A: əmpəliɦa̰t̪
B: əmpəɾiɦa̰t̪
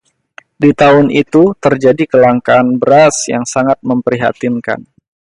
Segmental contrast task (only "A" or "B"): B